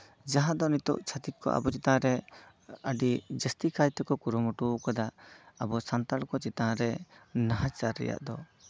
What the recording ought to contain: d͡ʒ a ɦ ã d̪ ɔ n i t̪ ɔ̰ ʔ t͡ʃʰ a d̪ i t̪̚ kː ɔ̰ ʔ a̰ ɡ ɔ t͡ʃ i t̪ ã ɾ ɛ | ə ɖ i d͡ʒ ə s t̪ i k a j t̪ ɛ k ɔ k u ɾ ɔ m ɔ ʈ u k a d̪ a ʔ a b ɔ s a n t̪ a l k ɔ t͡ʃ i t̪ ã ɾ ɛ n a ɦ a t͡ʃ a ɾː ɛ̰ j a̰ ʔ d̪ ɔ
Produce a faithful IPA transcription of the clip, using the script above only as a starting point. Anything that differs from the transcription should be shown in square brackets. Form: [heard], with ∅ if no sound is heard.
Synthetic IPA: d͡ʒ a ɦ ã d̪ ɔ n i t̪ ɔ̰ ʔ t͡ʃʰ a [t̪] i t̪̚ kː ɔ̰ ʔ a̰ [b] ɔ t͡ʃ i t̪ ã ɾ ɛ | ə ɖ i d͡ʒ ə s t̪ i k a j t̪ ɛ k ɔ k u ɾ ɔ m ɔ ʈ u k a d̪ a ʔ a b ɔ s a n t̪ a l k ɔ t͡ʃ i t̪ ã ɾ ɛ n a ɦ a t͡ʃ a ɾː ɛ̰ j a̰ ʔ d̪ ɔ